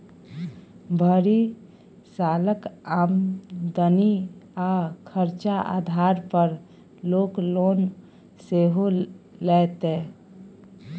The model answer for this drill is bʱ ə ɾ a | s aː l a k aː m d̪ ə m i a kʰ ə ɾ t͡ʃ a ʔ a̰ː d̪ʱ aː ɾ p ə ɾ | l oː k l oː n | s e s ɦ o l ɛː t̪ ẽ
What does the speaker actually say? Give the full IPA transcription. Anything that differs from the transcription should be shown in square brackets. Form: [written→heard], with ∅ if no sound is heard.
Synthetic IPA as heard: bʱ ə ɾ [a→i] | s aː l [a→ə] k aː m d̪ ə [m→n] i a kʰ ə ɾ t͡ʃ a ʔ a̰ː d̪ʱ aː ɾ p ə ɾ | l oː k l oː n | s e [s→∅] ɦ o l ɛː t̪ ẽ